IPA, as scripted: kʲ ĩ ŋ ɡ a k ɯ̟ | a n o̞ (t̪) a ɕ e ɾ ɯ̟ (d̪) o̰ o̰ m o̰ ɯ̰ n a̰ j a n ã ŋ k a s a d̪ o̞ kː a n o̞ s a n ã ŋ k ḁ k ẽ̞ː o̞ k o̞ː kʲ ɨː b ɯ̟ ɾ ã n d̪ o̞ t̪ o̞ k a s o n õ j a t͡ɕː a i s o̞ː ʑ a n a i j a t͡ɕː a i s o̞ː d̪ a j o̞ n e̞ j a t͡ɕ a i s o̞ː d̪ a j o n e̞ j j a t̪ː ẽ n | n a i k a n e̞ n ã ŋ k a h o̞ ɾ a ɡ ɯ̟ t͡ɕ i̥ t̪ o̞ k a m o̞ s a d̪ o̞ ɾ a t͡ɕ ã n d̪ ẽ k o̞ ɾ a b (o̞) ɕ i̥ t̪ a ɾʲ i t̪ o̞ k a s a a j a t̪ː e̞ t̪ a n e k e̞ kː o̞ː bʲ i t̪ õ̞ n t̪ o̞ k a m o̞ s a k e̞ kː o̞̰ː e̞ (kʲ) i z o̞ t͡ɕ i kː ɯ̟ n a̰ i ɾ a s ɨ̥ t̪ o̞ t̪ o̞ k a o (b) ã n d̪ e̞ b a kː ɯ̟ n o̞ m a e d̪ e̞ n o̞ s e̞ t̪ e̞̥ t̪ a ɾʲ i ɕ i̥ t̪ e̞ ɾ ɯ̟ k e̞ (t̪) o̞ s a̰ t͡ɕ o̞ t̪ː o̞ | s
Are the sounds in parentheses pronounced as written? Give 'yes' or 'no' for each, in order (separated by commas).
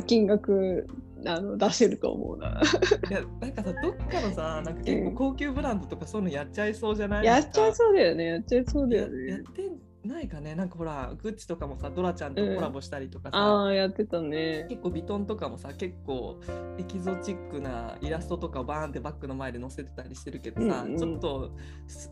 no, no, yes, yes, yes, no